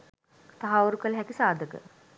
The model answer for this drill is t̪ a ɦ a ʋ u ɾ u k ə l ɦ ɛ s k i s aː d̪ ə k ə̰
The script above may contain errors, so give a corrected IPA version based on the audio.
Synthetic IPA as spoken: t̪ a ɦ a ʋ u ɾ u k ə l ɦ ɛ k i s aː d̪ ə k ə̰